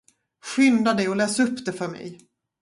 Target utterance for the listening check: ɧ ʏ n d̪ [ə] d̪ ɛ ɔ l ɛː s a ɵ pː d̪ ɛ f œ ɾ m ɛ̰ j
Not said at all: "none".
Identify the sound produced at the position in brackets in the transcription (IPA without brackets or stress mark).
a